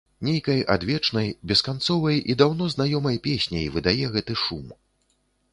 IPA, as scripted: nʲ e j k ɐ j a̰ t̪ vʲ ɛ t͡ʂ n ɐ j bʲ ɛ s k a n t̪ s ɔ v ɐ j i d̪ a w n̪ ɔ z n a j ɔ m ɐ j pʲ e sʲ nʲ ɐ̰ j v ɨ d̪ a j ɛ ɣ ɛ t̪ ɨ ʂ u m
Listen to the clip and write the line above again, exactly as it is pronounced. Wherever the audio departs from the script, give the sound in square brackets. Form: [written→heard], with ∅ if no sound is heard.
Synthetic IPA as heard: nʲ e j k ɐ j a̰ [t̪→d̪] vʲ ɛ t͡ʂ n ɐ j bʲ ɛ s k a n t̪ s ɔ v ɐ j i d̪ a w n̪ ɔ z n a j ɔ m ɐ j pʲ e sʲ nʲ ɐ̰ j v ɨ d̪ a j ɛ ɣ ɛ t̪ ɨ ʂ u m